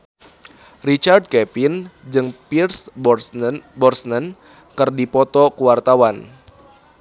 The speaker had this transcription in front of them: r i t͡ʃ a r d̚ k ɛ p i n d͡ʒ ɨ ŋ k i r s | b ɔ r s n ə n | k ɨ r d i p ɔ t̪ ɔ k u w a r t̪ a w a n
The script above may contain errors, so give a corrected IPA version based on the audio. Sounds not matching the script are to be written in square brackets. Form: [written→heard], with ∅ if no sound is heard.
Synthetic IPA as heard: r i t͡ʃ a r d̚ k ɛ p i n d͡ʒ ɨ ŋ [k→p] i r s | b ɔ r s n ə n | k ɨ r d i p ɔ t̪ ɔ k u w a r t̪ a w a n